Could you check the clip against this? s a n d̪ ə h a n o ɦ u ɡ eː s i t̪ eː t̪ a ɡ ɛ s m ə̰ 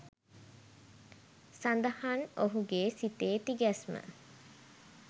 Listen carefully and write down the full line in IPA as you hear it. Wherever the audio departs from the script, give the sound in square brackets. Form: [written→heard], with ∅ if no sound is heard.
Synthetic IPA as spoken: s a n d̪ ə h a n o ɦ u ɡ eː s i t̪ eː t̪ [a→i] ɡ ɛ s m ə̰